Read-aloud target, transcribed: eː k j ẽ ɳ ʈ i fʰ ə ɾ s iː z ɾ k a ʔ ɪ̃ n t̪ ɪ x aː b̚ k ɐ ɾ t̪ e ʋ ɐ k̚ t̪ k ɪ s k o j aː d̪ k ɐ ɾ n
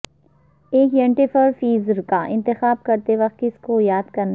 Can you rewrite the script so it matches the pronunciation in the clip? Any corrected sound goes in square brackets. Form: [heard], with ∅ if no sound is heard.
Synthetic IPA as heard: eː k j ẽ ɳ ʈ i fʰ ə ɾ [f] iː z ɾ k a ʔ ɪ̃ n t̪ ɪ x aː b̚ k ɐ ɾ t̪ e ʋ ɐ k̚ t̪ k ɪ s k o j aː d̪ k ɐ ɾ n

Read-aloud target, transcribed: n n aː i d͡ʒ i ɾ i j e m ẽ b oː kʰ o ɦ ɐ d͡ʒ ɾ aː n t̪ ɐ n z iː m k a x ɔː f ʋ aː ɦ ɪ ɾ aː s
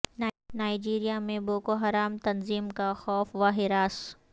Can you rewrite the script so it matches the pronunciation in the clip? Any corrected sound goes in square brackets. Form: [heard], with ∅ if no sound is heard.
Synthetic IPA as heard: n n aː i d͡ʒ [iː] ɾ i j [a] m ẽ b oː [k] o ɦ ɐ [∅] ɾ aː [m] t̪ ɐ n z iː m k a x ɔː f ʋ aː ɦ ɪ ɾ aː s

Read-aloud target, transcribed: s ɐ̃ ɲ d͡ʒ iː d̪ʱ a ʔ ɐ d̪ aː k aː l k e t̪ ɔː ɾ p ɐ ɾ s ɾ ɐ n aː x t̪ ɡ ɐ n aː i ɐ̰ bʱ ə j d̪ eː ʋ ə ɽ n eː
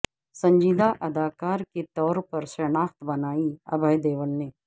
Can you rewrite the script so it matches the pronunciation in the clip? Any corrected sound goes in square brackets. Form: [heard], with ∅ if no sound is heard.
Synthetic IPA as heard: s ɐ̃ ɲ d͡ʒ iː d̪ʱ a ʔ ɐ d̪ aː k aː [ɾ] k e t̪ ɔː ɾ p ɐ ɾ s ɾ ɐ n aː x t̪ [b] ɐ n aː i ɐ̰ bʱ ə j d̪ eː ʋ ə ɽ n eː

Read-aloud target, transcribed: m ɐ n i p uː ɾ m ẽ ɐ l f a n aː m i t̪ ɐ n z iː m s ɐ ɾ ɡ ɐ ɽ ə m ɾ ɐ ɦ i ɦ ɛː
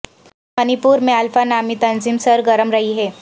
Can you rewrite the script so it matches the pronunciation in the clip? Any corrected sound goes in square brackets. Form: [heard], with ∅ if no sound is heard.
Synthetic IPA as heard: m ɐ n i p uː ɾ m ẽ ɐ l f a n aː m i t̪ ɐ n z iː m s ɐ ɾ ɡ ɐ [ɾ] ə m ɾ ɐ ɦ i ɦ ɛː

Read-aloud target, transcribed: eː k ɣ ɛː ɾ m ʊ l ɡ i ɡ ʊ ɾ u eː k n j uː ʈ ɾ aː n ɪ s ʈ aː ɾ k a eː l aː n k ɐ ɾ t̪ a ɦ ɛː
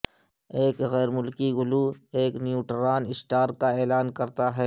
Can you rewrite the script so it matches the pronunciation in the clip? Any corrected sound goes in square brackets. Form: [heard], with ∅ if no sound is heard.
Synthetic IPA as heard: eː k ɣ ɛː ɾ m ʊ l [k] i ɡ ʊ [l] u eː k n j uː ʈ ɾ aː n ɪ s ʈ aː ɾ k a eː l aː n k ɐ ɾ t̪ a ɦ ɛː

